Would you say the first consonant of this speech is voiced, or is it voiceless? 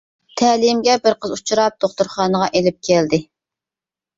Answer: voiceless